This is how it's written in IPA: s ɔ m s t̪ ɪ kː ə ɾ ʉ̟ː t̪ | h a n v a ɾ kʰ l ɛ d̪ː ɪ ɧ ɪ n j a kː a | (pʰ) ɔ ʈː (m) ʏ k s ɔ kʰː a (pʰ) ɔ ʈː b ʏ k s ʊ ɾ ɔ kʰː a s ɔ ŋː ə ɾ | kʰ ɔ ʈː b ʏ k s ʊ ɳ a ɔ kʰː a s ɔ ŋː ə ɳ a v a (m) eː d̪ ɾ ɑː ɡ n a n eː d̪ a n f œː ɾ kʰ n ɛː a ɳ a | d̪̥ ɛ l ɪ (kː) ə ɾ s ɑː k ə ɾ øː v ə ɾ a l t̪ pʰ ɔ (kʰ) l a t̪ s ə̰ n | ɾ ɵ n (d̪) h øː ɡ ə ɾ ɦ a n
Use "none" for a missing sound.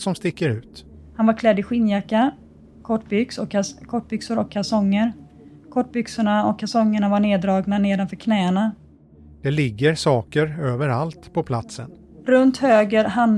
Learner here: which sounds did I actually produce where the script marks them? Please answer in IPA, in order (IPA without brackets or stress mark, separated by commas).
kʰ, b, kʰ, ɳ, ɡː, pʰ, t̪